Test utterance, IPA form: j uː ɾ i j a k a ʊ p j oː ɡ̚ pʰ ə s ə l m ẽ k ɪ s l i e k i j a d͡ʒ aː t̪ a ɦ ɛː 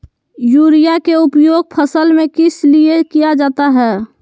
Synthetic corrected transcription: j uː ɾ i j a k e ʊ p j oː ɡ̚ pʰ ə s ə l m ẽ k ɪ s l i e k i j a d͡ʒ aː t̪ a ɦ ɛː